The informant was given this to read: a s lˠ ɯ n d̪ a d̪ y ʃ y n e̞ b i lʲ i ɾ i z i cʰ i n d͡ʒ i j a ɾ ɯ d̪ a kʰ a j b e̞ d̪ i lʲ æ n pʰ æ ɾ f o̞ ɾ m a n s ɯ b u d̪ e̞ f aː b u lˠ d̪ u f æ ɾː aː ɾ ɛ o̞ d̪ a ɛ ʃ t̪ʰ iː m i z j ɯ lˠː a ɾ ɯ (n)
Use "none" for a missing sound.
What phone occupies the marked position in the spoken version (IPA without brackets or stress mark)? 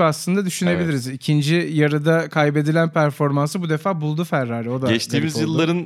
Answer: n